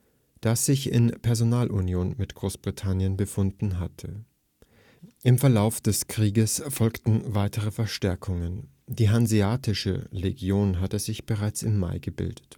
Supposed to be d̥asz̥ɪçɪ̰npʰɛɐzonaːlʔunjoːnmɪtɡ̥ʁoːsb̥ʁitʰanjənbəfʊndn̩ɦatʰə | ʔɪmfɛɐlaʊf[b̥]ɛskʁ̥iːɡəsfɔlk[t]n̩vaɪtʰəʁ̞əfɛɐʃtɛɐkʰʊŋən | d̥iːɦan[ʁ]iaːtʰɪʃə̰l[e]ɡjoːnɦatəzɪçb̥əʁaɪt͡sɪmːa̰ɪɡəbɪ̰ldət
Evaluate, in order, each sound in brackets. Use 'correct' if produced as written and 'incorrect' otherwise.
incorrect: d̥, correct, incorrect: z, correct

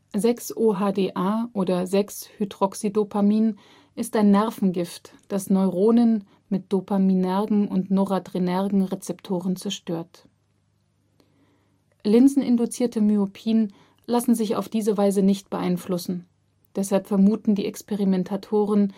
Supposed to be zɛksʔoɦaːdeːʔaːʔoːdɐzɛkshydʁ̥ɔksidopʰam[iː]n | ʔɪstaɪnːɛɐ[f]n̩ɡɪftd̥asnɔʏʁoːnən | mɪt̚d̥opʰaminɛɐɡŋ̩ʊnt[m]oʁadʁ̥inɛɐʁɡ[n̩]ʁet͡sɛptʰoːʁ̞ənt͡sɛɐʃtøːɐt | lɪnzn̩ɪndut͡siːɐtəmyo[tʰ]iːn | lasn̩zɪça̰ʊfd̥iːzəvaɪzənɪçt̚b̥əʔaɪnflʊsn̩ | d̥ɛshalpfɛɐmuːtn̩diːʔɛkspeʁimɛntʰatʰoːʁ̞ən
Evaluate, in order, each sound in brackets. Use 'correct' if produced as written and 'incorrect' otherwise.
correct, correct, incorrect: n, incorrect: ŋ̩, incorrect: pʰ

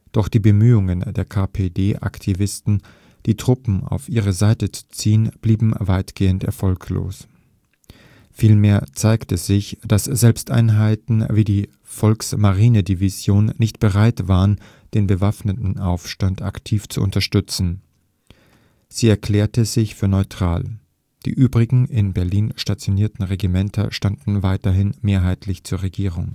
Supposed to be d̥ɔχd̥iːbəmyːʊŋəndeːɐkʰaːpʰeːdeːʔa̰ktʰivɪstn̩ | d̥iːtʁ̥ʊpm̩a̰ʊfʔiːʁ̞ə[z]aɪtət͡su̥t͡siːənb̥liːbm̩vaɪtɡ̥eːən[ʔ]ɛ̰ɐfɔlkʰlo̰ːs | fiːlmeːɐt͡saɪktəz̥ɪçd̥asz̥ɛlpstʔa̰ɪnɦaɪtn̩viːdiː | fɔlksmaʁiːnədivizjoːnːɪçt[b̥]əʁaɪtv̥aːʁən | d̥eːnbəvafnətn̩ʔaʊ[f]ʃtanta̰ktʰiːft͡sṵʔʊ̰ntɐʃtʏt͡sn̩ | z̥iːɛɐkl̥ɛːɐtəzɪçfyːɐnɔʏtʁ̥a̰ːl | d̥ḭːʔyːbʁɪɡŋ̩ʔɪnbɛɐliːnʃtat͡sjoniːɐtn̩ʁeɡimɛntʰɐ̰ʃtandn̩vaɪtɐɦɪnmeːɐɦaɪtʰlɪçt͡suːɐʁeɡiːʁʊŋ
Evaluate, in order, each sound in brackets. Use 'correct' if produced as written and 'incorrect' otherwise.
correct, incorrect: t, correct, correct

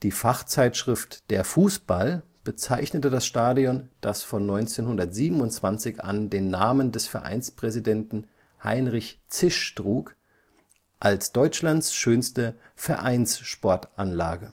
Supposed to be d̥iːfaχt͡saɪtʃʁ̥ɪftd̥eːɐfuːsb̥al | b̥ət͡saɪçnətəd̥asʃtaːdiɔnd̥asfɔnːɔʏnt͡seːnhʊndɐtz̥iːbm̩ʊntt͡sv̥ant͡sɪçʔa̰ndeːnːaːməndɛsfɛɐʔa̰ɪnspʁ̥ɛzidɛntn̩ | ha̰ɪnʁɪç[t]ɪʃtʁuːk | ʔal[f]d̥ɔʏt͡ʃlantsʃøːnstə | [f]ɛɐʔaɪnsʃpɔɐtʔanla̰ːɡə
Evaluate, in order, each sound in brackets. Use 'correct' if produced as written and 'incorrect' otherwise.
incorrect: t͡s, incorrect: s, correct

